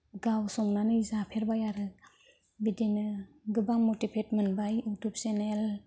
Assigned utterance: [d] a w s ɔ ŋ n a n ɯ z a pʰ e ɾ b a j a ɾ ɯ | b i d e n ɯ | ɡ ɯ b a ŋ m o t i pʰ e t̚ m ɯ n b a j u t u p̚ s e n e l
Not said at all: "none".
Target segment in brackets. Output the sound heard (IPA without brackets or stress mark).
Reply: ɡ